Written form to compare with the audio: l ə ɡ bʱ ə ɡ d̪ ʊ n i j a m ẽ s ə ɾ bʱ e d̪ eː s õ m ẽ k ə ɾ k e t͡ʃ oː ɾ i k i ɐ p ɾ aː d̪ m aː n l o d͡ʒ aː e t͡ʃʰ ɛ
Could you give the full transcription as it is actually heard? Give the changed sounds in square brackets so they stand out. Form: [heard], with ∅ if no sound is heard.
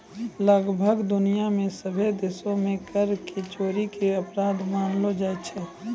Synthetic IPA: l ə ɡ bʱ ə ɡ d̪ ʊ n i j a m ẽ s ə [∅] bʱ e d̪ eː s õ m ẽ k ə ɾ k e t͡ʃ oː ɾ i k [e] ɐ p ɾ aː d̪ m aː n l o d͡ʒ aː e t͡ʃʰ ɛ